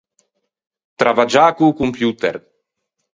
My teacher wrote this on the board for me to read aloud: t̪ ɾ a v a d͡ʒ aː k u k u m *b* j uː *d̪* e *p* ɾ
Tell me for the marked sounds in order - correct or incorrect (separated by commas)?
incorrect, incorrect, incorrect